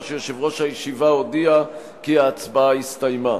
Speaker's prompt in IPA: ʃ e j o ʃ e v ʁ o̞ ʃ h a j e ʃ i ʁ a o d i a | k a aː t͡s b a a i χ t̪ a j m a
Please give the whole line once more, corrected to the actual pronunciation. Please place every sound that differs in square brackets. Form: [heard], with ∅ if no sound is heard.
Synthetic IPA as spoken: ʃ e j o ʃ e v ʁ o̞ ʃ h a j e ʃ i [v] a o d i a | k [i] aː t͡s b a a i [s] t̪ a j m a